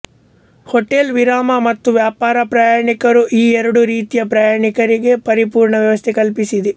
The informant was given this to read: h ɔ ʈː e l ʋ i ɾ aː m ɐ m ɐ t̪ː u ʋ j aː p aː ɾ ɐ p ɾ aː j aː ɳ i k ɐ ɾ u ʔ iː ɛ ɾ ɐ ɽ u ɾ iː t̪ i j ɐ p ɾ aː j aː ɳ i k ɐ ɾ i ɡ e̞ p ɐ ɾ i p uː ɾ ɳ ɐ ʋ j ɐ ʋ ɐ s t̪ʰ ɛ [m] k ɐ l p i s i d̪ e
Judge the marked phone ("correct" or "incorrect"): incorrect